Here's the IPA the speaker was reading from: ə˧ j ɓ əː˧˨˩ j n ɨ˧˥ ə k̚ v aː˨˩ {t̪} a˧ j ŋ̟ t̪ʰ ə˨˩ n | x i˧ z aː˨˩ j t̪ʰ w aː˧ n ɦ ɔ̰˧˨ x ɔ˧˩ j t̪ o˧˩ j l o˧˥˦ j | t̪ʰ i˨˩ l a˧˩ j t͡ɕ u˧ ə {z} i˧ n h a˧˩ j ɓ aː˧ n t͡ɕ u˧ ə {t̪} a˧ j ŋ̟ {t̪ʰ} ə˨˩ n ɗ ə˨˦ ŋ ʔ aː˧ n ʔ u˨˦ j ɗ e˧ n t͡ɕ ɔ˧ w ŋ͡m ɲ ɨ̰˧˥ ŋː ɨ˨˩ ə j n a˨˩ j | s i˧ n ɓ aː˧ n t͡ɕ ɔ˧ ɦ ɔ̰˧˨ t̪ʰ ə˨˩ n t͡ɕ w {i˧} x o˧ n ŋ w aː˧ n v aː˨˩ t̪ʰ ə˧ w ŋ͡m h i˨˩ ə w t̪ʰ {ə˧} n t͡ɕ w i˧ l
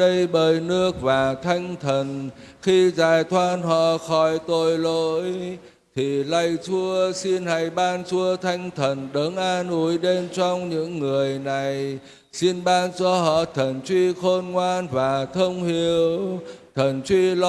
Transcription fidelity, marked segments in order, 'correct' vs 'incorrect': incorrect: t̪ʰ, incorrect: s, incorrect: t̪ʰ, correct, correct, incorrect: ə˨˩

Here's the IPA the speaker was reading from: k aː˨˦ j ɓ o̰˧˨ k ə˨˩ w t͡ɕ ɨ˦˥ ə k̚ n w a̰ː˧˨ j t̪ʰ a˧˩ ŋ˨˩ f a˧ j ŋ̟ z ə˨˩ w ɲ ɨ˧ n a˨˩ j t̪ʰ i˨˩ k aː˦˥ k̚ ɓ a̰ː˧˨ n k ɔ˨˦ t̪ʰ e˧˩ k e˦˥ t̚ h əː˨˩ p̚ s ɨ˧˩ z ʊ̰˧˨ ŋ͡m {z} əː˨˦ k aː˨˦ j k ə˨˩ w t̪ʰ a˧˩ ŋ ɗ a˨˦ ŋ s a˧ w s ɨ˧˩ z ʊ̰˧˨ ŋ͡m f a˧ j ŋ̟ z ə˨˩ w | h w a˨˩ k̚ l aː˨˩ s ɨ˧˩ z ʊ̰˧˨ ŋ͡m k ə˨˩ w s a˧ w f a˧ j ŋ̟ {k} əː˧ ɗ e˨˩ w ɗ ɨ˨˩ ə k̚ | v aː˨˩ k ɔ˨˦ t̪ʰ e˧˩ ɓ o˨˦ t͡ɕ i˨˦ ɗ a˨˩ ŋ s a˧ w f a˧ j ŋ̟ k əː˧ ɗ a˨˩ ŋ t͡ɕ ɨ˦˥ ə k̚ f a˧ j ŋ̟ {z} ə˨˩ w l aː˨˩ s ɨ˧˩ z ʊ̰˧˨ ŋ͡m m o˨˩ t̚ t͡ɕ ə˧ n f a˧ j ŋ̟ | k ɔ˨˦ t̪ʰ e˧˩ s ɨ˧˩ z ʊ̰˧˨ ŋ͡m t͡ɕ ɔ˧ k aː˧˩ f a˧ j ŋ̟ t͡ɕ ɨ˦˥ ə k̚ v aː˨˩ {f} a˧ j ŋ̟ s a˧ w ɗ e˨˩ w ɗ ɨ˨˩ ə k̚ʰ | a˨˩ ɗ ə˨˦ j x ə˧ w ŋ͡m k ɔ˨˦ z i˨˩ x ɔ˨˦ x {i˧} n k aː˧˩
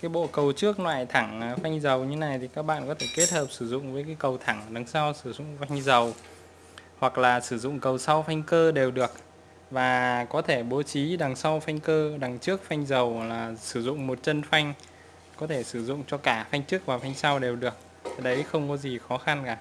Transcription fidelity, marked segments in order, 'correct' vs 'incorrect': incorrect: v, correct, correct, correct, incorrect: a˧

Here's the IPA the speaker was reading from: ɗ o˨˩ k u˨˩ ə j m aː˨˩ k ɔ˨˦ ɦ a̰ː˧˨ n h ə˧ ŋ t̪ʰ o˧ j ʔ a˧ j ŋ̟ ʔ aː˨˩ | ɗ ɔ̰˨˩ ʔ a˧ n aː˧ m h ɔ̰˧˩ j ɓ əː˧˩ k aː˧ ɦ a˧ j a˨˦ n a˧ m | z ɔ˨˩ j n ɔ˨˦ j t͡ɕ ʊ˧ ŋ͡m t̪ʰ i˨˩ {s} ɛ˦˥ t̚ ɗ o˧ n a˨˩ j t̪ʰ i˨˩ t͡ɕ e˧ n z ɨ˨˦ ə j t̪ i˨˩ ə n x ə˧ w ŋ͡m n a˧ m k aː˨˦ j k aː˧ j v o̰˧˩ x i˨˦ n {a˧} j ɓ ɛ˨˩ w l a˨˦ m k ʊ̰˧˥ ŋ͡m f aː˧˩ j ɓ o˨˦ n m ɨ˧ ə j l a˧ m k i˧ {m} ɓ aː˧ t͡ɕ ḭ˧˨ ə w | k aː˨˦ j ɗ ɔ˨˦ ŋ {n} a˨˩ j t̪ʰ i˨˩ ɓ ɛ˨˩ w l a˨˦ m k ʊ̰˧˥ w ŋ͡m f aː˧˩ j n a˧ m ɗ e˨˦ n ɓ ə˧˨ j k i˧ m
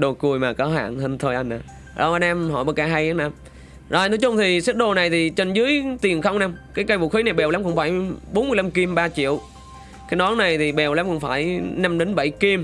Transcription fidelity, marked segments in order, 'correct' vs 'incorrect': correct, incorrect: a˨˩, correct, correct

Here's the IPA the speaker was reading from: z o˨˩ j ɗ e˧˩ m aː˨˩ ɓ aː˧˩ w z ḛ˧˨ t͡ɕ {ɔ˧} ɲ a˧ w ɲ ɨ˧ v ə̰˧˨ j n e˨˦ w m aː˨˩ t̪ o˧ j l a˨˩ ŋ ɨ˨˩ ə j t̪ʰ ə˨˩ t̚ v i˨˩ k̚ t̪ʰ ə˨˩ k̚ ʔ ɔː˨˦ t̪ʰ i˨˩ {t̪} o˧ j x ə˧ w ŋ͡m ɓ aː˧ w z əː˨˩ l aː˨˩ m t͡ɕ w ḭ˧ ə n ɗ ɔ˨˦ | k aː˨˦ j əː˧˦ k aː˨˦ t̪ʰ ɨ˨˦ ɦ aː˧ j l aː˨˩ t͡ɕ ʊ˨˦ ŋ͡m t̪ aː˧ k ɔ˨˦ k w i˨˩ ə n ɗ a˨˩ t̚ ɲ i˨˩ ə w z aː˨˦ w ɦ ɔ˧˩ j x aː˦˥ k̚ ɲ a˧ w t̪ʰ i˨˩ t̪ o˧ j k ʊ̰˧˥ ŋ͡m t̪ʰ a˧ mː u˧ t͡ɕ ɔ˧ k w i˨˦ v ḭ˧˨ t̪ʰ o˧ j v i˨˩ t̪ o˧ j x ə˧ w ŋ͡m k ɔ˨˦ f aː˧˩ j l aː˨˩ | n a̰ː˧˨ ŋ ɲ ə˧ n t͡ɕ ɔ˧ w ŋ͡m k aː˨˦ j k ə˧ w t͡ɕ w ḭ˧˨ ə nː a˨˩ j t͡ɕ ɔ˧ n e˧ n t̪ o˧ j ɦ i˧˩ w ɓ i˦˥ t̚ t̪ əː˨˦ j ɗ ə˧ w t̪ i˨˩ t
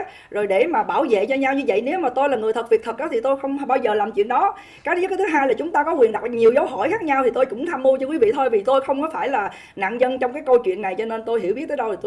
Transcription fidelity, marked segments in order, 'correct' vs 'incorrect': correct, correct

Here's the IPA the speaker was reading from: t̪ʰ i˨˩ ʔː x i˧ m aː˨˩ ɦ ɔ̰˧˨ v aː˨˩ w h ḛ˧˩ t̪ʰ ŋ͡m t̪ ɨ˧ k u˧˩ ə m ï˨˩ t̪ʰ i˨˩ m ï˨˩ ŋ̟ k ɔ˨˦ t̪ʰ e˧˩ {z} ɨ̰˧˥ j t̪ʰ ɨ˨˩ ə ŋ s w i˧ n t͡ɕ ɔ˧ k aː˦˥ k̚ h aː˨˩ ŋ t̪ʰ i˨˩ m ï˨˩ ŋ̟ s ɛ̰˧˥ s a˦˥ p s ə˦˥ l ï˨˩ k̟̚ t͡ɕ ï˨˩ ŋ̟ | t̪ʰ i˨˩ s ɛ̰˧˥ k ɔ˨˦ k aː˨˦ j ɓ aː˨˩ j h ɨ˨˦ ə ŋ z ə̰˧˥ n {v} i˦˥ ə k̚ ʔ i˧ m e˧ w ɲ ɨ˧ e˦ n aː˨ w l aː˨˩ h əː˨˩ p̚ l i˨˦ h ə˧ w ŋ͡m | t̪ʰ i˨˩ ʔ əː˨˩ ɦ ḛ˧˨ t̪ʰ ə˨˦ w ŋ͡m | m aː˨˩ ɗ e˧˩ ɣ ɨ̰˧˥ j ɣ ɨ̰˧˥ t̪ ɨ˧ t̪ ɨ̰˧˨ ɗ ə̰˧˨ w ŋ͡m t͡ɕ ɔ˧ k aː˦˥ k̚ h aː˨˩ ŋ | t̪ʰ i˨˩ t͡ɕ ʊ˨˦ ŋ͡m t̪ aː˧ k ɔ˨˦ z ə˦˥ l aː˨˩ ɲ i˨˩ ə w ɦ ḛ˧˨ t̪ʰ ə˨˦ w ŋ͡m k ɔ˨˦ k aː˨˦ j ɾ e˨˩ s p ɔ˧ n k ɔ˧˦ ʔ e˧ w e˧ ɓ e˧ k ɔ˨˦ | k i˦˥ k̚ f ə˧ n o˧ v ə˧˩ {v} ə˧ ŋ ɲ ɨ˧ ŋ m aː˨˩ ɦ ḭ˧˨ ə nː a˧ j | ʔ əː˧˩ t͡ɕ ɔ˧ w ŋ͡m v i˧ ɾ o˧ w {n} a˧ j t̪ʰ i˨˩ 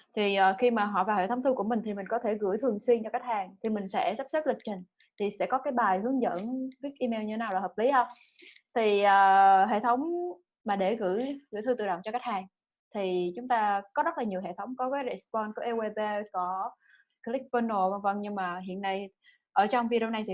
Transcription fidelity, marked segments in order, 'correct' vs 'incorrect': incorrect: ɣ, correct, correct, correct

